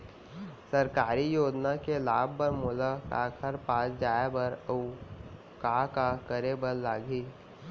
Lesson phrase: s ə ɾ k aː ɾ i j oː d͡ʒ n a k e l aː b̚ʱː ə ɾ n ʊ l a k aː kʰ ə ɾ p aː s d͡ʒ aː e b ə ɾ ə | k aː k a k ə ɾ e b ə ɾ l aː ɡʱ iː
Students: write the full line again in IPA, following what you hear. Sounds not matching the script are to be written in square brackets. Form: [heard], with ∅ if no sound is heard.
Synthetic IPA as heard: s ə ɾ k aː ɾ i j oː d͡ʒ n a k e l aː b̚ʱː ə ɾ [m] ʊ l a k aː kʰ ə ɾ p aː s d͡ʒ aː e b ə ɾ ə | k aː k a k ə ɾ e b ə ɾ l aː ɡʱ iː